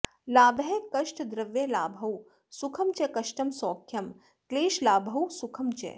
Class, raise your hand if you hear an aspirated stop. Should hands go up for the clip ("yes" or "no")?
yes